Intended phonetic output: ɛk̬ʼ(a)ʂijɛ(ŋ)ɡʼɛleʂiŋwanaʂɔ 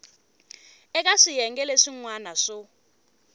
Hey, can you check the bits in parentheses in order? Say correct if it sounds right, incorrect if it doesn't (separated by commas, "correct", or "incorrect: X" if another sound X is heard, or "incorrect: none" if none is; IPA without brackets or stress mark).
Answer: correct, correct